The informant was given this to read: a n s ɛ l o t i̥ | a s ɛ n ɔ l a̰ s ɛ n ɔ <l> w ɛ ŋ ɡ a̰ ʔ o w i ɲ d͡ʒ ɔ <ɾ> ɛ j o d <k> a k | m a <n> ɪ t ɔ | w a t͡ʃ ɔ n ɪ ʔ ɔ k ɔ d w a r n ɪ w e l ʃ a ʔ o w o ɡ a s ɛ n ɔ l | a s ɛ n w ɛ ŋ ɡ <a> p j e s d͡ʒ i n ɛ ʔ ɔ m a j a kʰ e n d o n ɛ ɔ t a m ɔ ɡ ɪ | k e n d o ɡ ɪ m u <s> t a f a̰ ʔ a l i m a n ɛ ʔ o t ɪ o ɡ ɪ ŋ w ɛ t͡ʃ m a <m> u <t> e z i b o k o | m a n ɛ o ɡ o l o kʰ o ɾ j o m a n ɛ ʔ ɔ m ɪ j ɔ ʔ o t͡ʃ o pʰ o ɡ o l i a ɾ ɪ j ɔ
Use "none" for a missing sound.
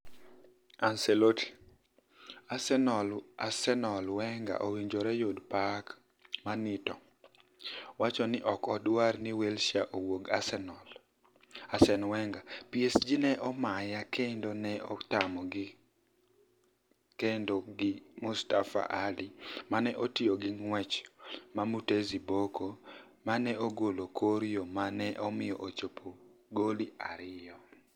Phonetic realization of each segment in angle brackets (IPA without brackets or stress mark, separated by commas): l, ɾ, p, n, a, s, m, t